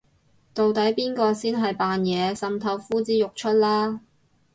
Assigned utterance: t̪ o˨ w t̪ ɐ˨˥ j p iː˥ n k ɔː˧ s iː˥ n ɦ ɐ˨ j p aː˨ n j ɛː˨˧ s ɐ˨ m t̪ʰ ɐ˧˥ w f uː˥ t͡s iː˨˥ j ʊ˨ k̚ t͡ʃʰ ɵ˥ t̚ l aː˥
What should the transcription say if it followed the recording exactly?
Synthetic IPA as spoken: t̪ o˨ w t̪ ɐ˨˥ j p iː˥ n k ɔː˧ s iː˥ n ɦ ɐ˨ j p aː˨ n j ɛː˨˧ s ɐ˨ m t̪ʰ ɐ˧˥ w f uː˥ t͡s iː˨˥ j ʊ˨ k̚ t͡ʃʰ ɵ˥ t̚ l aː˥